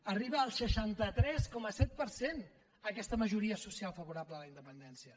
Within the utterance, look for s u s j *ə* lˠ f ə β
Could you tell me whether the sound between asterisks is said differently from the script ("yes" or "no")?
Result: yes